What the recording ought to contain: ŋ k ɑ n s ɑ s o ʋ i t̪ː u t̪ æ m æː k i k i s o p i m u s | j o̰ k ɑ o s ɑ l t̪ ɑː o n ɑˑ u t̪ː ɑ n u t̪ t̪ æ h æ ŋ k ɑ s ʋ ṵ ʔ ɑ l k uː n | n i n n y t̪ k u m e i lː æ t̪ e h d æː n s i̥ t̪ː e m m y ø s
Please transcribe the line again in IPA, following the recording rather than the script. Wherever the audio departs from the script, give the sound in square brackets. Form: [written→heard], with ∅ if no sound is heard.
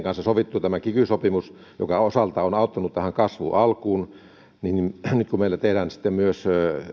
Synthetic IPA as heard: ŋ k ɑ n s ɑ s o ʋ i t̪ː u t̪ æ m [æː→æ] k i k [i→y] s o p i m u s | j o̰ k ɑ o s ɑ l t̪ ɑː o n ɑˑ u t̪ː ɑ n u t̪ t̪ æ h æ ŋ k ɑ s ʋ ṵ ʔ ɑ l k uː n | n i n n y t̪ k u m e i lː æ t̪ e h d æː n s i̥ t̪ː e m m y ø s